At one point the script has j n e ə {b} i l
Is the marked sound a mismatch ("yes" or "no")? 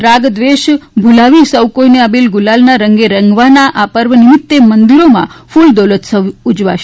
no